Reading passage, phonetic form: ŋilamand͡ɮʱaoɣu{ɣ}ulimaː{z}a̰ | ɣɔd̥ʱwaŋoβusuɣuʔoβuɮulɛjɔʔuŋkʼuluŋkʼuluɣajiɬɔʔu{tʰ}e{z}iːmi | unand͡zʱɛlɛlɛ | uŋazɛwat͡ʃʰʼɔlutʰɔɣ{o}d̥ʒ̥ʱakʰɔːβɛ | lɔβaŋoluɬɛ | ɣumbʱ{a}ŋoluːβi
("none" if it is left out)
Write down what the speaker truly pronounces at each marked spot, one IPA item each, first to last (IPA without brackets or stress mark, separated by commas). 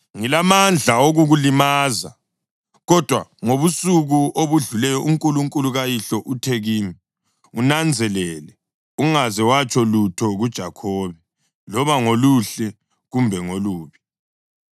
ɣ, z, tʰ, ɣ, u, ɛ